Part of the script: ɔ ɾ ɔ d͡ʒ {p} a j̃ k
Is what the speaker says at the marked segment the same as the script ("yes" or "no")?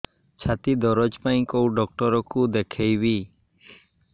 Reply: yes